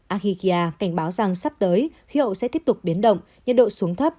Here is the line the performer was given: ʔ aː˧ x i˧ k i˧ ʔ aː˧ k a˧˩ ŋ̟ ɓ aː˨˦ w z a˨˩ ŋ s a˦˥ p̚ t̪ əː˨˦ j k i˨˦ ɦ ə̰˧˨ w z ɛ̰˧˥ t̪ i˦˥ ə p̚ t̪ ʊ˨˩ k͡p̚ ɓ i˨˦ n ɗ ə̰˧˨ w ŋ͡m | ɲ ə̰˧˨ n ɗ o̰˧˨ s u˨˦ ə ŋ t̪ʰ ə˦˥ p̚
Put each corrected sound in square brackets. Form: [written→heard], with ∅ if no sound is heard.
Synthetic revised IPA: ʔ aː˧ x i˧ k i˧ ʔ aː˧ k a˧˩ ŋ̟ ɓ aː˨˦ w z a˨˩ ŋ s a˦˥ p̚ t̪ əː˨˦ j [k→x] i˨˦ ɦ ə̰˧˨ w [z→s] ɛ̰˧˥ t̪ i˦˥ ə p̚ t̪ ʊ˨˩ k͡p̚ ɓ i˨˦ n ɗ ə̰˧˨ w ŋ͡m | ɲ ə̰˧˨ n ɗ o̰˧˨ s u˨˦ ə ŋ t̪ʰ ə˦˥ p̚